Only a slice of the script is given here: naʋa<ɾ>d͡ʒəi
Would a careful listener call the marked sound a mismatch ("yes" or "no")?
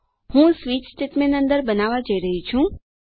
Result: yes